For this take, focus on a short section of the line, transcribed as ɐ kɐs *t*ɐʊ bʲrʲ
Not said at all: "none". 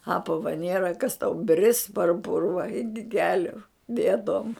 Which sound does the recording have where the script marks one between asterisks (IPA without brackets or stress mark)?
t